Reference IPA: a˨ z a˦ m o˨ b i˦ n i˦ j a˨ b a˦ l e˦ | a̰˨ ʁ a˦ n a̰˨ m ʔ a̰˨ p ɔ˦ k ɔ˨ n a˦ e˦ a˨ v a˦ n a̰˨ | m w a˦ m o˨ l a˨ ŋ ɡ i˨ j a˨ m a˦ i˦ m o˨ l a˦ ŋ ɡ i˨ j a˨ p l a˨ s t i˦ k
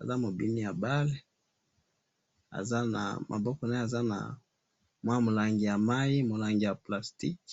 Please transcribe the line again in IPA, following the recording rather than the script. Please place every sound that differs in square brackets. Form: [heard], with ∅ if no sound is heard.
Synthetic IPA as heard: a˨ z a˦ m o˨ b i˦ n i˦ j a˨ b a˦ l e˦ | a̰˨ [z] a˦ n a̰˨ m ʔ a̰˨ [b] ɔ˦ k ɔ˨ n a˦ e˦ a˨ [z] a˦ n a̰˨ | m w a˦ m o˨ l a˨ ŋ ɡ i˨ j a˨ m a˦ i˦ m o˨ l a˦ ŋ ɡ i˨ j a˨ p l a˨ s t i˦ k